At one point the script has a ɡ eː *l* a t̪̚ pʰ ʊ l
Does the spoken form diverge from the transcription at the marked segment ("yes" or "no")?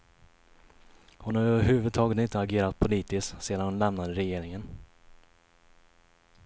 yes